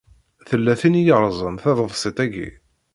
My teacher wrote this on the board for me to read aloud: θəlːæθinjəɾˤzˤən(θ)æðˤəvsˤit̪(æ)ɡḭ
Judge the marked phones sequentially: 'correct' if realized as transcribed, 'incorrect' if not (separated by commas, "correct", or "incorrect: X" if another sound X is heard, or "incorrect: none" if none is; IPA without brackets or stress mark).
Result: correct, correct